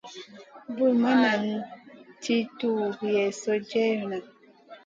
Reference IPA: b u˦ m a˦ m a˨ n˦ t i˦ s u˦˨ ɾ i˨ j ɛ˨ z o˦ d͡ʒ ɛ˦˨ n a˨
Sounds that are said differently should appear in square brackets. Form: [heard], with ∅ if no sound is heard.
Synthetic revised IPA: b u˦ m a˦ [n] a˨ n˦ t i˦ [t] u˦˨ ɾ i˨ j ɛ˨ [s] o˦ d͡ʒ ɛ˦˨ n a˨